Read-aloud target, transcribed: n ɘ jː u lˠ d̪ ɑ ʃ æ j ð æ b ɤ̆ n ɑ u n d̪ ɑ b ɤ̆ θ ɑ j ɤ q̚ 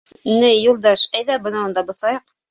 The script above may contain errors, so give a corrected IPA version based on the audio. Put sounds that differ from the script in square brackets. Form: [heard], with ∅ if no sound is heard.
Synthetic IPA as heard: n ɘ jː u lˠ d̪ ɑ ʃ æ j ð æ b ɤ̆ n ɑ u n d̪ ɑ b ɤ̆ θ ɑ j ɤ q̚